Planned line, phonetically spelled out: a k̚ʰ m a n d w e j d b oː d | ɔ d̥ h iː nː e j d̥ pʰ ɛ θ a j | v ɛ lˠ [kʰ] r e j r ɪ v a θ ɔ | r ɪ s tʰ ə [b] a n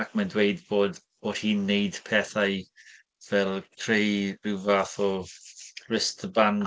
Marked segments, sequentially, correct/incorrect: correct, correct

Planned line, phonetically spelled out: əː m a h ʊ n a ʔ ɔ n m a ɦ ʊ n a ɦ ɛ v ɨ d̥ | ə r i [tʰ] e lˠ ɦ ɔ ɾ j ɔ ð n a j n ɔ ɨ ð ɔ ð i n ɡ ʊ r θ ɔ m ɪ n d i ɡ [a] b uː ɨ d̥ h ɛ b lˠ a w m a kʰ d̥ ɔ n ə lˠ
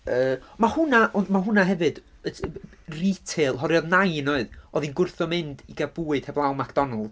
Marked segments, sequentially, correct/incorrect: correct, correct

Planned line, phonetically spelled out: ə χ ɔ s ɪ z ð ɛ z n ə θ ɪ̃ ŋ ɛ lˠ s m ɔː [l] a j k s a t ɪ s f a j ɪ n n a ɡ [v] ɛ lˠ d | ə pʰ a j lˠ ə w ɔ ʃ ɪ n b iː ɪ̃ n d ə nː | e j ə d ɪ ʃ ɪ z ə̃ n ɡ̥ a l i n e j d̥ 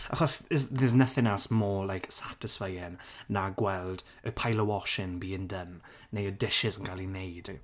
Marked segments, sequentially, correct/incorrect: correct, incorrect: w

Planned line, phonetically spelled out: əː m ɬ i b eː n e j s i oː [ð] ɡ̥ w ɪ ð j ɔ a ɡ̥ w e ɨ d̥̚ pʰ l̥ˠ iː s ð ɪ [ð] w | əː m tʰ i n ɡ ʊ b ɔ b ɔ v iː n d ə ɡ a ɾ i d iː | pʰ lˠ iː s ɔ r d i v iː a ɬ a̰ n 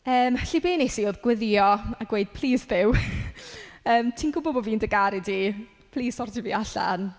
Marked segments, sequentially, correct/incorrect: correct, incorrect: none

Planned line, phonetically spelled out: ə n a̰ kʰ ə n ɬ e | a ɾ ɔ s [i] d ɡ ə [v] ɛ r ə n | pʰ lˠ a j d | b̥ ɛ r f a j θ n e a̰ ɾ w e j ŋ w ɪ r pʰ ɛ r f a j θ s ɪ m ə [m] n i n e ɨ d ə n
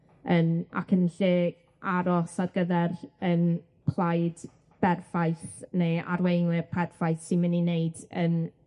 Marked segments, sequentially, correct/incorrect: incorrect: a, incorrect: ð, incorrect: none

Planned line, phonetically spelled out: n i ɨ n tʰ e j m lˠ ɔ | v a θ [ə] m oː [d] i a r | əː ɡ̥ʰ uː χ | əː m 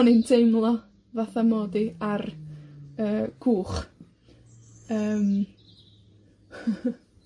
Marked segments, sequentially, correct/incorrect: incorrect: a, correct

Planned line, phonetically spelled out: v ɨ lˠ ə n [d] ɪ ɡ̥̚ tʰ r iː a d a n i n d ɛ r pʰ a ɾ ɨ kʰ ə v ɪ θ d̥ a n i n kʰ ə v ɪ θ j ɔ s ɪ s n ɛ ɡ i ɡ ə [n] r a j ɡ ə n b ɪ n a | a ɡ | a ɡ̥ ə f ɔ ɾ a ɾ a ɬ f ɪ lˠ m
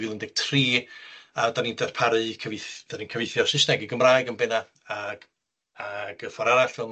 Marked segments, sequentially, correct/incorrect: correct, incorrect: m

